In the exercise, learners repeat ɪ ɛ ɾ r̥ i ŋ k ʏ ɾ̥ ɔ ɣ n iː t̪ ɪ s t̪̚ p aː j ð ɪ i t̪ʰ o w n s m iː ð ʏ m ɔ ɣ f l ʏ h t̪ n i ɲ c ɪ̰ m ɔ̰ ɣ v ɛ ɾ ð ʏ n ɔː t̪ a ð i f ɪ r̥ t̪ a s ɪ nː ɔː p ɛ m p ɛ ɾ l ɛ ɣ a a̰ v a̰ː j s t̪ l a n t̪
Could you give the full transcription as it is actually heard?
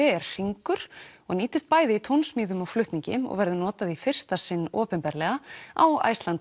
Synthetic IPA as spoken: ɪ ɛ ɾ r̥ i ŋ k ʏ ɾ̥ ɔ ɣ n iː t̪ ɪ s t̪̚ p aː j ð ɪ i t̪ʰ o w n s m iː ð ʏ m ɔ ɣ f l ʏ h t̪ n i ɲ c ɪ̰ m ɔ̰ ɣ v ɛ ɾ ð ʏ n ɔː t̪ a ð i f ɪ r̥ t̪ a s ɪ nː ɔː p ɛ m p ɛ ɾ l ɛ ɣ a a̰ w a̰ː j s t̪ l a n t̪